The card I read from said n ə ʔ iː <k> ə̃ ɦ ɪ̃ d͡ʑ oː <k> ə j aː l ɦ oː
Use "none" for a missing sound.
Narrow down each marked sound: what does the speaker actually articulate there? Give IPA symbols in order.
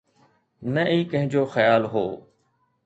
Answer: k, x

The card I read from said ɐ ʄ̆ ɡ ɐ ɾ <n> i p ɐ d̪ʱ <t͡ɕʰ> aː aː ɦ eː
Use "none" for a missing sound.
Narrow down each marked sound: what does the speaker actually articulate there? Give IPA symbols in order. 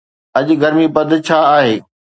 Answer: m, t͡ɕʰ

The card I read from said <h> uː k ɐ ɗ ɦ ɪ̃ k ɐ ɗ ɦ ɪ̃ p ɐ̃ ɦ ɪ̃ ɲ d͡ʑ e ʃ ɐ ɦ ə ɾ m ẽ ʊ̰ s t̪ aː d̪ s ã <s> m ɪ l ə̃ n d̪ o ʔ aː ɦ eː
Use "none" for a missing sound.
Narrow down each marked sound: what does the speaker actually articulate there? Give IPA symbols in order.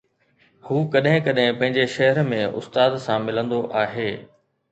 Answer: h, none

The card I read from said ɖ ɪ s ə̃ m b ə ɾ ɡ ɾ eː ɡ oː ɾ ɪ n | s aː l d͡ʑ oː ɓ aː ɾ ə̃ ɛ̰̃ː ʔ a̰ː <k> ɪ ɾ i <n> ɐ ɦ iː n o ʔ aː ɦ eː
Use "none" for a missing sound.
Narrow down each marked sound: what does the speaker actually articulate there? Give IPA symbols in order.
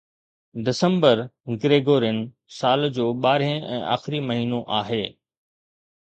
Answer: x, m

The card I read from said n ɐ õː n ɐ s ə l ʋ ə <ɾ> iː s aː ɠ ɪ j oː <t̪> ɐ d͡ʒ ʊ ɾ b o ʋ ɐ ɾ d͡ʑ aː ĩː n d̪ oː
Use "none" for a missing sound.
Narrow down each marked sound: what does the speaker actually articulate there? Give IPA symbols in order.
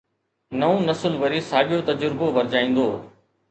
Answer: ɾ, t̪

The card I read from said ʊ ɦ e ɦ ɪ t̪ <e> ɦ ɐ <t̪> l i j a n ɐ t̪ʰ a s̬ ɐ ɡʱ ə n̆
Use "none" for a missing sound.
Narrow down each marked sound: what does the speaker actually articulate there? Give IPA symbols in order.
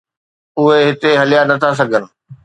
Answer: e, none

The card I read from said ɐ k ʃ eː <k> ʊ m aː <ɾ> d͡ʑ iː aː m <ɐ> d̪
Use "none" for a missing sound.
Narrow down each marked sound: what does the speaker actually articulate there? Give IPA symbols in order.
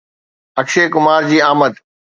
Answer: k, ɾ, ə

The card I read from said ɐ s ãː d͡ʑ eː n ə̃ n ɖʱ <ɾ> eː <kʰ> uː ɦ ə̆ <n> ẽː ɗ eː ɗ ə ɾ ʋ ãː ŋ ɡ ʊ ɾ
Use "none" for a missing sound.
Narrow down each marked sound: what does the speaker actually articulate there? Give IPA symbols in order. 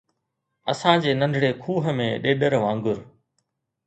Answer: ɽ, kʰ, m

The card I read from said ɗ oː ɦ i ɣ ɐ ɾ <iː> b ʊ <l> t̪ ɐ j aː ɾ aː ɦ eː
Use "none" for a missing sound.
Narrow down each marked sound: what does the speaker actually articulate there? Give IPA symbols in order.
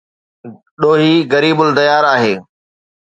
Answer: iː, l

